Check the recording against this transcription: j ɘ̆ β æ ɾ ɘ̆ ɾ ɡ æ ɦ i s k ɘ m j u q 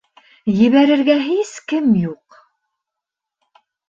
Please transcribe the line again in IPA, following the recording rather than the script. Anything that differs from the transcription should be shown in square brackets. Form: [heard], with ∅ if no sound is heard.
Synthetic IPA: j ɘ̆ β æ ɾ ɘ̆ ɾ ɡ æ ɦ i s k ɘ m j u q